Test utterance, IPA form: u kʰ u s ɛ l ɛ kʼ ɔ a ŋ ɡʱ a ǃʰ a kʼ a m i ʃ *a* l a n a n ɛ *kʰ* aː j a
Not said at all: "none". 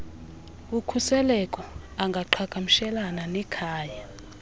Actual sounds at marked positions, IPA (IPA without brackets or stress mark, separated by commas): ɛ, kʰ